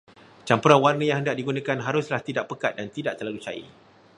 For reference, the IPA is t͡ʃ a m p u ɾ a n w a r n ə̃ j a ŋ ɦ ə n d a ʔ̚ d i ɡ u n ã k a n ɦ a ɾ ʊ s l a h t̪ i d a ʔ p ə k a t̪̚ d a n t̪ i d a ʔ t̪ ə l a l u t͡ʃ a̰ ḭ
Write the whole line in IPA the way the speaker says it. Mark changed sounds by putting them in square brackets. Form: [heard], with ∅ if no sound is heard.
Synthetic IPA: t͡ʃ a m p u ɾ a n w a r n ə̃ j a ŋ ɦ ə n d a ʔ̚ d i ɡ u n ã k a n ɦ a ɾ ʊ s l a h t̪ i d a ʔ p ə k a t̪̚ d a n t̪ i d a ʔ t̪ ə l a l u t͡ʃ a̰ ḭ